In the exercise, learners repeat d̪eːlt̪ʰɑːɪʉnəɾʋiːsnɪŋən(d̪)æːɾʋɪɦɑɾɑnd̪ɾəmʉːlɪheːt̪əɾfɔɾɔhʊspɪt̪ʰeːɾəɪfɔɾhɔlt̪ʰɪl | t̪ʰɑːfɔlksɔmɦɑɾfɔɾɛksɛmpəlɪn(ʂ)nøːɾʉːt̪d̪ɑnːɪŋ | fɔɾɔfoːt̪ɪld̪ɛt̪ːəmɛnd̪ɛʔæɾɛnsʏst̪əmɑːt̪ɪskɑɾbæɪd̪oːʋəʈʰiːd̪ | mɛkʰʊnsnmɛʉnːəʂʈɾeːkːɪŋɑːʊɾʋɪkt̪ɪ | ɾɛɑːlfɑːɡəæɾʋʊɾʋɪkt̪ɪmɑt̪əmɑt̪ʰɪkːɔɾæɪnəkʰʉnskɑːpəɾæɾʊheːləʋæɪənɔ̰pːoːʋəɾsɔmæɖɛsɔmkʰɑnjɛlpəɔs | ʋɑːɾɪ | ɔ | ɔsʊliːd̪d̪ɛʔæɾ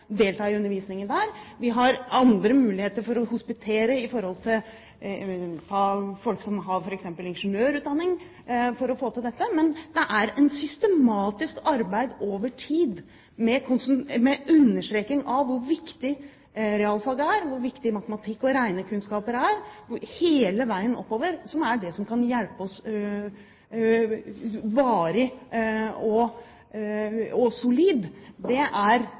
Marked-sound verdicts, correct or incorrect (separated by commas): correct, correct